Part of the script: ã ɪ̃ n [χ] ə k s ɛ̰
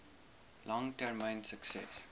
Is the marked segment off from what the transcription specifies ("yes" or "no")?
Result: yes